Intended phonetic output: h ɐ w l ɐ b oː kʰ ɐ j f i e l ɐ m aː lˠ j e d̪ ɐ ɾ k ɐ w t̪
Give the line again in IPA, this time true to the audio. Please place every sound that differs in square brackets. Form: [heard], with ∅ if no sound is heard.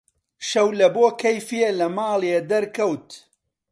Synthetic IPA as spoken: [ʃ] ɐ w l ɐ b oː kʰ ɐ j f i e l ɐ m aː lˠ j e d̪ ɐ ɾ k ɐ w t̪